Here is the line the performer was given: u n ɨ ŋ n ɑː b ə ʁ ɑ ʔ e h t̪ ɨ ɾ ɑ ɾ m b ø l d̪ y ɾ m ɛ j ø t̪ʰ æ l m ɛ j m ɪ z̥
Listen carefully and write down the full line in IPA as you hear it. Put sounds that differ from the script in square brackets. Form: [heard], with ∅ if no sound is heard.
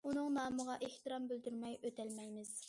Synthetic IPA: u n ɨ ŋ n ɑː [m] ə ʁ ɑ ʔ e h t̪ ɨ ɾ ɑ [∅] m b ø l d̪ y ɾ m ɛ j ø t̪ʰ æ l m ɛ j m ɪ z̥